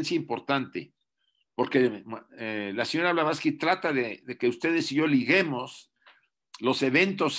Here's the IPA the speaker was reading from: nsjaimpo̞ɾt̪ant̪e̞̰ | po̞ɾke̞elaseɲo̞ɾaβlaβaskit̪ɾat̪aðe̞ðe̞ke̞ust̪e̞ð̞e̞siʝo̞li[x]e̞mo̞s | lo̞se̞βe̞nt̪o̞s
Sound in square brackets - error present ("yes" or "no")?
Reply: yes